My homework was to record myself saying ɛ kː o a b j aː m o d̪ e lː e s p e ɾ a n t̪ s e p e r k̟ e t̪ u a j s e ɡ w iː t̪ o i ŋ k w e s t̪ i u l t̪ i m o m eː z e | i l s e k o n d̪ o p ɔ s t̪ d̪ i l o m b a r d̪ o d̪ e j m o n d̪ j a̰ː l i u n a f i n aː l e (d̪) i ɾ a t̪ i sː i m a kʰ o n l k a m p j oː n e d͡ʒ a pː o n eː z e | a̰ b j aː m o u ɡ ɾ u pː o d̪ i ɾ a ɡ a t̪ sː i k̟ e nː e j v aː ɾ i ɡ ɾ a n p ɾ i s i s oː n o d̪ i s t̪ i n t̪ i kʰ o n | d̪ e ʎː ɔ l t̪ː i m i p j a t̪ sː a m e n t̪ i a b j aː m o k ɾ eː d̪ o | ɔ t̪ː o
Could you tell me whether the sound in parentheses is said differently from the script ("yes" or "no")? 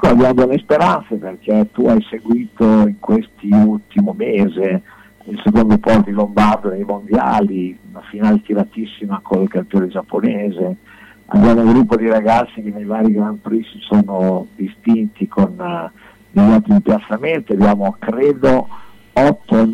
yes